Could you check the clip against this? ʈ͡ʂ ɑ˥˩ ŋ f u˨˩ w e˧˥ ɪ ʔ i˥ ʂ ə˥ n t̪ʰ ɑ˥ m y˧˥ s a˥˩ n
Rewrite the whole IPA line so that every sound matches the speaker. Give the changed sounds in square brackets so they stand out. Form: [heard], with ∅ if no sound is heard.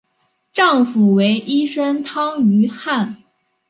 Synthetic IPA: ʈ͡ʂ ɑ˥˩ ŋ f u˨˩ w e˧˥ ɪ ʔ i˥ ʂ ə˥ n t̪ʰ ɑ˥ [ŋ] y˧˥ [x] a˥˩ n